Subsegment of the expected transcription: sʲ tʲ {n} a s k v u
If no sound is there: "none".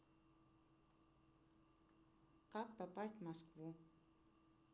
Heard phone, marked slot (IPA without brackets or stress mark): m